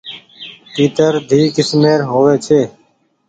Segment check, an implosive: absent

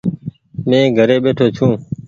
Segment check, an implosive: present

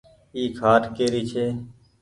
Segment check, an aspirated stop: present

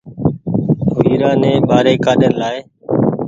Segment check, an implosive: present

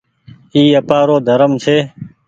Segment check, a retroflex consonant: absent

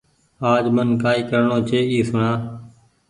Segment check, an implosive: absent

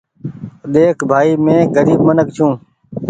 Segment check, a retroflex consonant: absent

